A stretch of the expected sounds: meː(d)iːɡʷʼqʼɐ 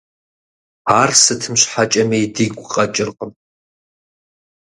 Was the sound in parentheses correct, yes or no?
yes